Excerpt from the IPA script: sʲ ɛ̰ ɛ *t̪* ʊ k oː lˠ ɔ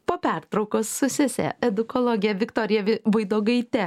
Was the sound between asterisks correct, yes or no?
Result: no